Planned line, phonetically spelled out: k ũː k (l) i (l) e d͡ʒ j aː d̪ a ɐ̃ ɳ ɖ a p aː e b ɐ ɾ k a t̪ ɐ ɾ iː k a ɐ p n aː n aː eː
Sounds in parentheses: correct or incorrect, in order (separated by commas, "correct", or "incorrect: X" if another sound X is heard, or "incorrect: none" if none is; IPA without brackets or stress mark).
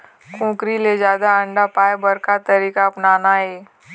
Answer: incorrect: ɾ, correct